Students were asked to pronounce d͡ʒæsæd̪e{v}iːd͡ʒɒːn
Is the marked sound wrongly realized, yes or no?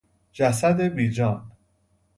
yes